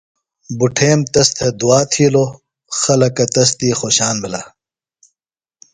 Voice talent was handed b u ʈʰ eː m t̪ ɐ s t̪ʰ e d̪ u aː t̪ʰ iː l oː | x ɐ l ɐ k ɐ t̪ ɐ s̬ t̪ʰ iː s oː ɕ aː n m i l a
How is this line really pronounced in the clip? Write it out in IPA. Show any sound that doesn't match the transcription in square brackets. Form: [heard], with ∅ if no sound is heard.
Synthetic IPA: b u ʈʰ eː m t̪ ɐ s t̪ʰ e d̪ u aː t̪ʰ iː l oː | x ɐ l ɐ k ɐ t̪ ɐ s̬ [t̪] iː [x] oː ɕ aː n m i l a